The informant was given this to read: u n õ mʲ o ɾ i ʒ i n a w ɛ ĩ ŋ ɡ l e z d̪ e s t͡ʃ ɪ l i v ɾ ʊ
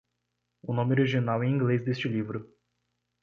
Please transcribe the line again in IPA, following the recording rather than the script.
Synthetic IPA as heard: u n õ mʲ o ɾ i ʒ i n a w ɛ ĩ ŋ ɡ l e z d̪ e s t͡ʃ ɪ l i v ɾ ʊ